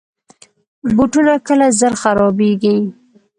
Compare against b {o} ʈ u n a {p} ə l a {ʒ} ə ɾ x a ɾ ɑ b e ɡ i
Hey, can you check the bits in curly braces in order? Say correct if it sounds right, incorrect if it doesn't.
incorrect, incorrect, incorrect

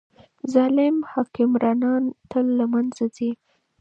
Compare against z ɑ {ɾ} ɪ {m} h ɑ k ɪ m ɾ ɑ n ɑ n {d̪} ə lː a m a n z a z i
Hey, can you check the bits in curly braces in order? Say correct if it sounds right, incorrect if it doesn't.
incorrect, correct, incorrect

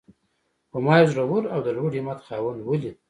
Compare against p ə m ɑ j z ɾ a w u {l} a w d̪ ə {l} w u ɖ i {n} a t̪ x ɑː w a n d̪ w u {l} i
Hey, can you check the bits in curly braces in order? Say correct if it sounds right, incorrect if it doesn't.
incorrect, correct, incorrect, correct

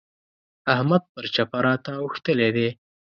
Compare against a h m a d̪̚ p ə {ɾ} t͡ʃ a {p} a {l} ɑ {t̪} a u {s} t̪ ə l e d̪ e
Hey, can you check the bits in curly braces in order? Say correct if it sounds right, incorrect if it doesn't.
correct, correct, incorrect, correct, incorrect

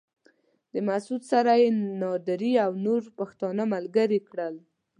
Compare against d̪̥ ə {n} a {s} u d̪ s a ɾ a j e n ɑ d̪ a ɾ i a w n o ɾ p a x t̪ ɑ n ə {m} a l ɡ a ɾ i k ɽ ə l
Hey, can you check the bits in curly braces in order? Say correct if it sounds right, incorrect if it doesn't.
incorrect, correct, correct

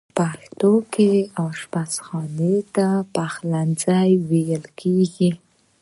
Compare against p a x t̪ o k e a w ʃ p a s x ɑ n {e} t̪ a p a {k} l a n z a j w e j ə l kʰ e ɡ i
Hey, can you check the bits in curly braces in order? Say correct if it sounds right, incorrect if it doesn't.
correct, incorrect

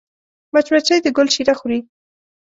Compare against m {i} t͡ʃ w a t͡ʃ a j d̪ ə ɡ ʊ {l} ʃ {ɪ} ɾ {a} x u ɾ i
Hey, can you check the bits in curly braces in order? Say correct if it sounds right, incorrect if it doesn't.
incorrect, correct, incorrect, correct

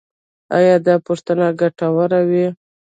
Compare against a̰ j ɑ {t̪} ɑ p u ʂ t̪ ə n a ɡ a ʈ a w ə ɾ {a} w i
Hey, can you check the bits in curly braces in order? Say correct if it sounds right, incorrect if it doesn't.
incorrect, correct

